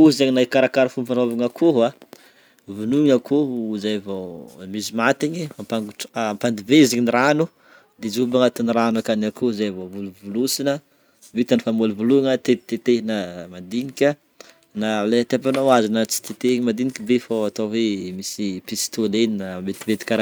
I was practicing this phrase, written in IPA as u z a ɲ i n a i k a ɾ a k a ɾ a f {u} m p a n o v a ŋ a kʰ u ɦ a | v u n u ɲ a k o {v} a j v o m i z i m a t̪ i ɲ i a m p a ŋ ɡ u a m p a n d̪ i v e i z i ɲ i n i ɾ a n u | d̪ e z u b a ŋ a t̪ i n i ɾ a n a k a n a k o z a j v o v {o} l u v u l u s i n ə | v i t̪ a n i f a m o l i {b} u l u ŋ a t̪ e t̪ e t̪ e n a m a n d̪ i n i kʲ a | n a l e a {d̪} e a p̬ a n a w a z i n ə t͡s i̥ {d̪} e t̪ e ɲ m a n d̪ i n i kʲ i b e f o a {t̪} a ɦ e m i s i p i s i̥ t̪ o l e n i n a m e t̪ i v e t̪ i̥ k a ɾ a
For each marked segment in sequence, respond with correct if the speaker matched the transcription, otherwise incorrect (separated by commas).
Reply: correct, incorrect, incorrect, incorrect, incorrect, incorrect, correct